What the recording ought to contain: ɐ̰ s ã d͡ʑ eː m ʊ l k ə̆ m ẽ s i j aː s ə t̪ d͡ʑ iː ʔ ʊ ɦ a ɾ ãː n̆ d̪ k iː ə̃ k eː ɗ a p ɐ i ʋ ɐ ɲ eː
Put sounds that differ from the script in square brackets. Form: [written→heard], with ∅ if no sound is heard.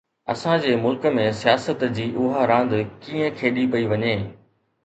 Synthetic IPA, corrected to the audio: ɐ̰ s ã d͡ʑ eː m ʊ l k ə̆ m ẽ s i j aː s ə t̪ d͡ʑ iː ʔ ʊ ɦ a ɾ ãː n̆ d̪ k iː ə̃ [k→kʰ] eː ɗ [a→i] p ɐ i ʋ ɐ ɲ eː